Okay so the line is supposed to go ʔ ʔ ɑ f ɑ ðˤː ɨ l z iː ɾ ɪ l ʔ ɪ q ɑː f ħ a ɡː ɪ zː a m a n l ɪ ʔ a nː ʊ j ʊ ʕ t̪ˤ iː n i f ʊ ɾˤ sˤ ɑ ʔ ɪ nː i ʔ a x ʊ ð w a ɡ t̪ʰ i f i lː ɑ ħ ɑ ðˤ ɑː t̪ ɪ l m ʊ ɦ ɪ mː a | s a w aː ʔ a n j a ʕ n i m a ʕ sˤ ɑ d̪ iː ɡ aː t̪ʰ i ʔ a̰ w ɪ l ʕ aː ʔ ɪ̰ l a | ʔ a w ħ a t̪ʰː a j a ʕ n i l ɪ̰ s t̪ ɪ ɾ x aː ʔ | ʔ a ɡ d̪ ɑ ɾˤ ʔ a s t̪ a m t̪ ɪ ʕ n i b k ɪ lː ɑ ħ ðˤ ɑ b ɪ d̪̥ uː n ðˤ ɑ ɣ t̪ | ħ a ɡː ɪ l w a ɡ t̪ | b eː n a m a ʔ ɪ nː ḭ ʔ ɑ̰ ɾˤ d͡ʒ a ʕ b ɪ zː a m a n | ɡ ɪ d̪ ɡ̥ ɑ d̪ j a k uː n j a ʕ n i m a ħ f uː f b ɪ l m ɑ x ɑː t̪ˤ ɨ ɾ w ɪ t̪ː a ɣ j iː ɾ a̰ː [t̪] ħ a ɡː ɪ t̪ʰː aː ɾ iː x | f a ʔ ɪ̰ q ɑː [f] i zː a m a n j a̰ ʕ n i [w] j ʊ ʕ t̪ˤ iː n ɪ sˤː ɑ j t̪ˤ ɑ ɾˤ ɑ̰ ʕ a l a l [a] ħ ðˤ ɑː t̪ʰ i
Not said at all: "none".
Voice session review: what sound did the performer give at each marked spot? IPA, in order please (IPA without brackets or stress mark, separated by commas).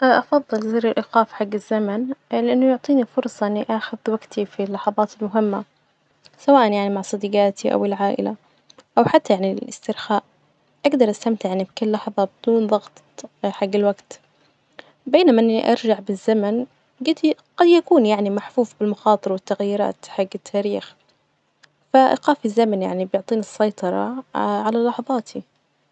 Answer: t̪, f, b, ɑ